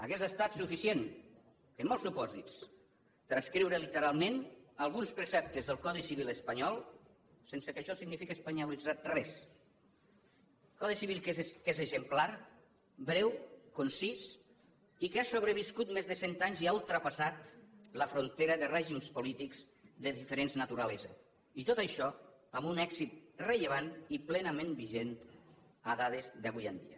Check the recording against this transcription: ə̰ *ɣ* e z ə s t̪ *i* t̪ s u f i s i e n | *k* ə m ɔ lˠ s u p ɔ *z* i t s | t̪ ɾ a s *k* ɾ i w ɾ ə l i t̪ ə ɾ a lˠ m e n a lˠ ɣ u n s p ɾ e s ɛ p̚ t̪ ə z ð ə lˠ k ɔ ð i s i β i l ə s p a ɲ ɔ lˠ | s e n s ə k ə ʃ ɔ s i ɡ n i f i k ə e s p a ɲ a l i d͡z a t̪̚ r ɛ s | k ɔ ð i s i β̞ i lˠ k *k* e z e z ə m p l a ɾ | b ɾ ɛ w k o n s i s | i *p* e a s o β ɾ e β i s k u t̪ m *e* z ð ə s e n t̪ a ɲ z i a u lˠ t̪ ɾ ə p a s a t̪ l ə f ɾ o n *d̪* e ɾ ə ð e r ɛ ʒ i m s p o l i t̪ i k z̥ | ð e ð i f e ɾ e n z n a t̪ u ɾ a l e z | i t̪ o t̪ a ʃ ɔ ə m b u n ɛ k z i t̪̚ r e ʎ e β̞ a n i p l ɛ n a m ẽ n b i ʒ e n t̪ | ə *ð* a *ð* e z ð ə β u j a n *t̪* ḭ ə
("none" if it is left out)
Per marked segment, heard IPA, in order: ɣ, a, k, z, k, k, k, e, t̪, ð, ð, d̪

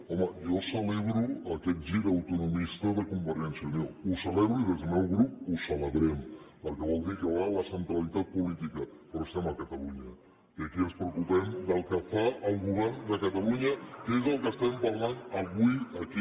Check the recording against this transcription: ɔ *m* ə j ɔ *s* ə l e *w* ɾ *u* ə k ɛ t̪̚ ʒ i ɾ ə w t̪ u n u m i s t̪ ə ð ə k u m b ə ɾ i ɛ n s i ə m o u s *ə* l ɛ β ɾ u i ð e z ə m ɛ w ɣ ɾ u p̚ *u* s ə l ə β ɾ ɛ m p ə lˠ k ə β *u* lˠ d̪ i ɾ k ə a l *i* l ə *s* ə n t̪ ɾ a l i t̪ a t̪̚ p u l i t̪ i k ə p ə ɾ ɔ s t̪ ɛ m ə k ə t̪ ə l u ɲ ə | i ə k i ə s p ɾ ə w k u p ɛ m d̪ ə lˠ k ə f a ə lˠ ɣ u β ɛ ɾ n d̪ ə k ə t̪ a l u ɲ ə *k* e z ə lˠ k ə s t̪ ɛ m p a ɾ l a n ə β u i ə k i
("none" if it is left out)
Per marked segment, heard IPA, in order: m, s, β, u, ə, u, ɔ, a, s, k

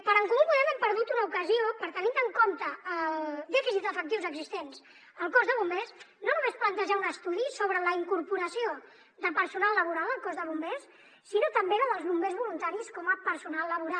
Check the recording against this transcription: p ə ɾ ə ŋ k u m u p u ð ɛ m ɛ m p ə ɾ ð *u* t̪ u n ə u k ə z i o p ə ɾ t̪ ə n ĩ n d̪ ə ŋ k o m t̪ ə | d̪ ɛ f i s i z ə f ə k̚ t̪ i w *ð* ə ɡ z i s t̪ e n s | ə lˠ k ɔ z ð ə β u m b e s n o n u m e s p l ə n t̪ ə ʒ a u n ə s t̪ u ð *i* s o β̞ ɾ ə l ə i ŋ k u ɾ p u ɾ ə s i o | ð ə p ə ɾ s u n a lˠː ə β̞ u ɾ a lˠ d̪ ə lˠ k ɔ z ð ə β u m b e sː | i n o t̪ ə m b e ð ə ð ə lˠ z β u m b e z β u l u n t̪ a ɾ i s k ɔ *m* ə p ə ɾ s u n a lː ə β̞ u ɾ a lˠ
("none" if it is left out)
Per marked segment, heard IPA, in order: u, z, i, m

